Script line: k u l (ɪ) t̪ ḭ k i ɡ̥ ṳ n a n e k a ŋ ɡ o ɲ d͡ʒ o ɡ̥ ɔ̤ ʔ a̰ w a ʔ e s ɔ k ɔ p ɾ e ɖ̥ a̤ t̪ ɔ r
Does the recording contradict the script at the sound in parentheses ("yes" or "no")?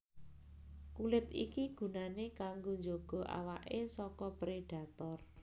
no